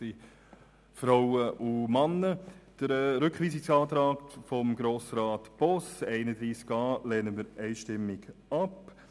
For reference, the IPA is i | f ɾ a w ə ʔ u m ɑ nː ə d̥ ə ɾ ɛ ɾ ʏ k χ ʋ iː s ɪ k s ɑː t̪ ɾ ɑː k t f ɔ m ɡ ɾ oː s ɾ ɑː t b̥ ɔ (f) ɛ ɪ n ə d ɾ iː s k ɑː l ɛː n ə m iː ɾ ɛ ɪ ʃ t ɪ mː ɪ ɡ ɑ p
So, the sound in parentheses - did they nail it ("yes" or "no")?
no